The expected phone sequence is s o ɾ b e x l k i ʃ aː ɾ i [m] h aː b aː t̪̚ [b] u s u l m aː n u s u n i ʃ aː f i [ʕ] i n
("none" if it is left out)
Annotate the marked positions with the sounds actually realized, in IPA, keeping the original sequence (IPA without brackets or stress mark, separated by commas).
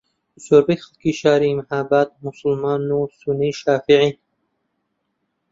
m, m, ʕ